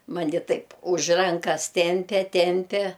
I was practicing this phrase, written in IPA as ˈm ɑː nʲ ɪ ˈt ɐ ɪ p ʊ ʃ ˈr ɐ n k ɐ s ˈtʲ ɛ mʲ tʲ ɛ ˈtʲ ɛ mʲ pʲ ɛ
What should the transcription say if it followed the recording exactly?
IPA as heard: ˈm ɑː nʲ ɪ ˈt ɐ ɪ p ʊ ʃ ˈr ɐ ŋ k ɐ s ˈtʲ ɛ mʲ pʲ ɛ ˈtʲ ɛ mʲ pʲ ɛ